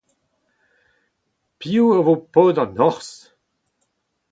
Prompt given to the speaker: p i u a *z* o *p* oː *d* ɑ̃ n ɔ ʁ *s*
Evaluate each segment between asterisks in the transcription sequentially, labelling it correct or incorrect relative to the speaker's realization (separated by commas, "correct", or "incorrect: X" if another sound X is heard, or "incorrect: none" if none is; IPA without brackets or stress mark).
incorrect: v, correct, correct, correct